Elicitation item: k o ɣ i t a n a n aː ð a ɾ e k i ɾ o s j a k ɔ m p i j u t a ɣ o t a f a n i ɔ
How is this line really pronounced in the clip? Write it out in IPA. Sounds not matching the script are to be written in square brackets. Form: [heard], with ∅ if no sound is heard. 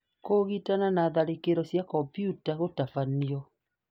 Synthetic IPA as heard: k o ɣ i t a n a n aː ð a ɾ e k [e] ɾ [ɔ] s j a k ɔ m p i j u t a ɣ o t a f a n i ɔ